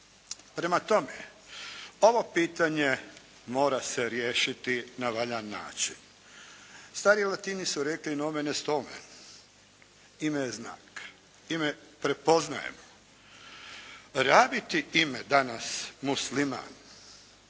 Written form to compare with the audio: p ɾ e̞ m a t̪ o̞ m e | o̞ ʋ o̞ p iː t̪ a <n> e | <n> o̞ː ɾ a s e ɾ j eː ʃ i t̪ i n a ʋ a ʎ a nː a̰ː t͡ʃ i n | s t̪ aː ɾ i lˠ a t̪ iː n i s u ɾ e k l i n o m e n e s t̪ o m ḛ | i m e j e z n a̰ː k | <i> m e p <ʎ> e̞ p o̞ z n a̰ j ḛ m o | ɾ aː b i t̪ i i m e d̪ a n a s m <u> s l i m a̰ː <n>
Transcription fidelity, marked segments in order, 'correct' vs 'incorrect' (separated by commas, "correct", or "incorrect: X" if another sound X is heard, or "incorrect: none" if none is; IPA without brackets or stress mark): incorrect: ɲ, incorrect: m, correct, incorrect: ɾ, correct, correct